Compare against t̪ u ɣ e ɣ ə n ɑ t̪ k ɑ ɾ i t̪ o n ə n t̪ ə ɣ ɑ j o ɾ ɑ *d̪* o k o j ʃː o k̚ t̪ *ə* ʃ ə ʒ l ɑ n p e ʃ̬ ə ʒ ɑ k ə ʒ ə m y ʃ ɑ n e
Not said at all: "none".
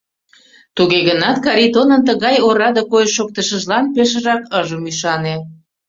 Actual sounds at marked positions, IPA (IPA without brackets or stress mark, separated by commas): d̪, ə